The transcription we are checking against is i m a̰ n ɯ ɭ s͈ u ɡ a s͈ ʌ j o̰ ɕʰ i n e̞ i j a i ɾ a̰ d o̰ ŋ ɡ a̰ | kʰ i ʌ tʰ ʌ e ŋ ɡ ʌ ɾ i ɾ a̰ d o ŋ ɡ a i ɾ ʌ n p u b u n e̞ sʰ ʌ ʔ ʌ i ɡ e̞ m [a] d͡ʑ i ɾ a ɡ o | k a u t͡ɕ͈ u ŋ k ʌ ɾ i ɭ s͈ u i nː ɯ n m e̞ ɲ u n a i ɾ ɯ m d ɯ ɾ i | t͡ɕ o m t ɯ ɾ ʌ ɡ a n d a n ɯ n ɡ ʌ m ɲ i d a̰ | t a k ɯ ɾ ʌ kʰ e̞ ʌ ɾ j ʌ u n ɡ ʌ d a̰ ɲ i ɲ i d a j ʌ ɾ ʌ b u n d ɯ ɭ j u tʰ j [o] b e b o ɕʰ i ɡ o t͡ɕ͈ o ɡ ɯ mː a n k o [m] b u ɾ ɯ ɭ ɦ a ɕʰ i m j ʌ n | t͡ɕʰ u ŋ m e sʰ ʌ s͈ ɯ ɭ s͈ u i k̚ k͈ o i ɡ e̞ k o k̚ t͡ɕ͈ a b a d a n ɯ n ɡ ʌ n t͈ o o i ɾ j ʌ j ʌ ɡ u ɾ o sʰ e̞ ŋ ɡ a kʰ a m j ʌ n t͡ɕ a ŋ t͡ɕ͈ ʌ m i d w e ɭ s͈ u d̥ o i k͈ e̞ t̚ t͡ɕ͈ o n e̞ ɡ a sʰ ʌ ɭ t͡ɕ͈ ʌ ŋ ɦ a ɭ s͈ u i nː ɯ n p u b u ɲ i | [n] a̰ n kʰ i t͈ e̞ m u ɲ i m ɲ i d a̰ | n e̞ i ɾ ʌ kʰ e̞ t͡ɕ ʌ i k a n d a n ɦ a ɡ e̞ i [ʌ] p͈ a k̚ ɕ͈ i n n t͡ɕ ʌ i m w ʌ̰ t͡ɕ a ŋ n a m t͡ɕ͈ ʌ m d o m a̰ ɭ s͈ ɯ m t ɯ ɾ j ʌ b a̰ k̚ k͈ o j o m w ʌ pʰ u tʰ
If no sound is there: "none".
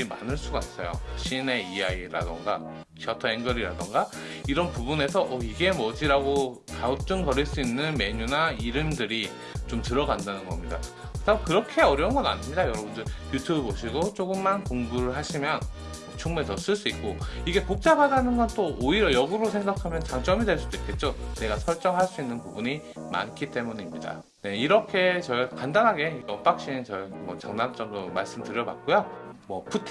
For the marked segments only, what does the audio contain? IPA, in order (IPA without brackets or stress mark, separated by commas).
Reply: ʌ, u, ŋ, m, ʌ